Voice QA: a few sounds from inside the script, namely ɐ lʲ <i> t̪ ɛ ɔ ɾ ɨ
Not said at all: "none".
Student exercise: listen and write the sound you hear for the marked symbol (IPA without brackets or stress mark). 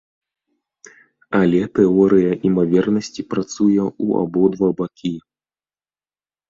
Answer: ɛ